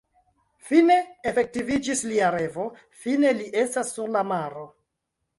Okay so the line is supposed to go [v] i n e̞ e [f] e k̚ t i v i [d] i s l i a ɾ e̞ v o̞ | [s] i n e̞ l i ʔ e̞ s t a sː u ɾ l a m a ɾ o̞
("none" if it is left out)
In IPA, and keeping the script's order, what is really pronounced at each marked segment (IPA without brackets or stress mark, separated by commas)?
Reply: f, f, d͡ʒ, f